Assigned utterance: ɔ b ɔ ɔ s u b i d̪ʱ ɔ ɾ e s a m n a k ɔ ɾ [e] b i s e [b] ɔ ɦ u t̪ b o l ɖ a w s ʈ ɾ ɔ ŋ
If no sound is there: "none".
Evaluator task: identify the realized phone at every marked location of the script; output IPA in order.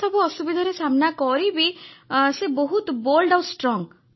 i, b

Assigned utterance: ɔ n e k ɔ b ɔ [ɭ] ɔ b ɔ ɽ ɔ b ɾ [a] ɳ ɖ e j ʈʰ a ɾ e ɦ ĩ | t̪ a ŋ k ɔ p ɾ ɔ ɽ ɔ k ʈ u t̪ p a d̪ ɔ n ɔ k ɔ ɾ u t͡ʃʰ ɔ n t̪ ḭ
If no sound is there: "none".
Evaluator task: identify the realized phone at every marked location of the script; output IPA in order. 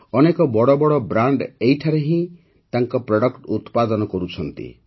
ɽ, a

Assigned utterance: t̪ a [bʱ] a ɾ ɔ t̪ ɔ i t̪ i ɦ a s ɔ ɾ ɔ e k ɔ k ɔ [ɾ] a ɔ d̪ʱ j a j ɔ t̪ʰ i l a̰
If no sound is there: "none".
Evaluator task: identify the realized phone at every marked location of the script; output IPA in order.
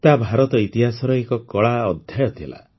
bʱ, ɭ

